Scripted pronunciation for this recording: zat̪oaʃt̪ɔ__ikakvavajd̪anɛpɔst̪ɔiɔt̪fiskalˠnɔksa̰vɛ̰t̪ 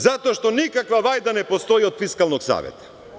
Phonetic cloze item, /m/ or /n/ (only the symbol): n